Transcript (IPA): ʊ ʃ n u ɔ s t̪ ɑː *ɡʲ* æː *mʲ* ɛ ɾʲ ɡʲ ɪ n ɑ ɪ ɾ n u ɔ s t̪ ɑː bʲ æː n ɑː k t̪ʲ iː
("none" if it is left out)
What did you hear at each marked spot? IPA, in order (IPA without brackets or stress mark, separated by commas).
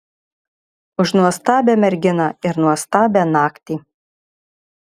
bʲ, mʲ